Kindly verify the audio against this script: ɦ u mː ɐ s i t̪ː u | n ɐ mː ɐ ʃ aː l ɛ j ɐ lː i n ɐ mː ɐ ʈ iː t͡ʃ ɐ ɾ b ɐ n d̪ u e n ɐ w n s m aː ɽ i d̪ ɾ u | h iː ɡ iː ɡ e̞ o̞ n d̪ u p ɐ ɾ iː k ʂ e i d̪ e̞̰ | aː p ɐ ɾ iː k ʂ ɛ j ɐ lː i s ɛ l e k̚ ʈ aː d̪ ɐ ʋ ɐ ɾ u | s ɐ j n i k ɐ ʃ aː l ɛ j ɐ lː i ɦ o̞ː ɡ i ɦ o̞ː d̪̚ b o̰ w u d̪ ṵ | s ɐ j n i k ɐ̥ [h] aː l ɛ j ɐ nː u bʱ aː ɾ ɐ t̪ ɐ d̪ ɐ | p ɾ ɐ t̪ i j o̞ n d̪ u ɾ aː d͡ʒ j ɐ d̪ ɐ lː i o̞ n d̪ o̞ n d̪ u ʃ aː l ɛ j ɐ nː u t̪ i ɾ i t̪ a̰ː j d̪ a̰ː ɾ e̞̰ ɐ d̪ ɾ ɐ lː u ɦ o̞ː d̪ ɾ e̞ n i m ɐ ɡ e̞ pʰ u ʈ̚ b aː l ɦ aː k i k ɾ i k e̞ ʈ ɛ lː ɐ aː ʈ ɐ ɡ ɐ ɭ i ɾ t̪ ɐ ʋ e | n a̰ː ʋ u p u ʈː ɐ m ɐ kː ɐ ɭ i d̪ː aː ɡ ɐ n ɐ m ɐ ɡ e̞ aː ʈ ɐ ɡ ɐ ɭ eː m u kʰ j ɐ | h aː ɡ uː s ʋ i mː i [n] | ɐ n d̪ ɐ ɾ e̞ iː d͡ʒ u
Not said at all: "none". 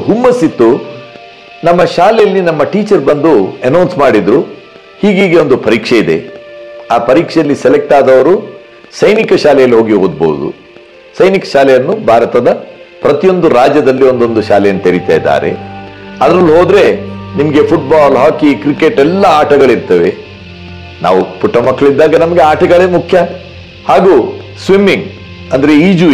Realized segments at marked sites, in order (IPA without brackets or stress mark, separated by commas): ʃ, ŋ